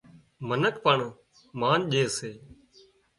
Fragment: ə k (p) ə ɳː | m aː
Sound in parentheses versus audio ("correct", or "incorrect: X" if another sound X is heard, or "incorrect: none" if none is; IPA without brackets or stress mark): correct